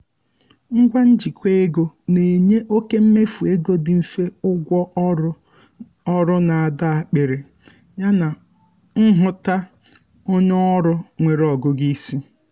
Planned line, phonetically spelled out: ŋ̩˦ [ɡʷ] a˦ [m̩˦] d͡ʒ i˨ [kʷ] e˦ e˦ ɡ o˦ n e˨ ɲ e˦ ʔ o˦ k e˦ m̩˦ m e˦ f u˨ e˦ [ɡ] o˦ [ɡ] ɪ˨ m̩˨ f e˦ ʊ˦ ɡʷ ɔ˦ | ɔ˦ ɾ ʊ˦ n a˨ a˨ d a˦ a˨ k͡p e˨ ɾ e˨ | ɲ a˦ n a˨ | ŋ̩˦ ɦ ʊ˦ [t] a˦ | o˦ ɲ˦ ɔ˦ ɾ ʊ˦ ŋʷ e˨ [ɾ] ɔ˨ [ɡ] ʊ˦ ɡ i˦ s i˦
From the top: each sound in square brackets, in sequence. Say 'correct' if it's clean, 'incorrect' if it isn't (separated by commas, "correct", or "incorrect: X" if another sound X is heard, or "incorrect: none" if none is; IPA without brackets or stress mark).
correct, incorrect: n̩˦, correct, correct, incorrect: d, correct, correct, correct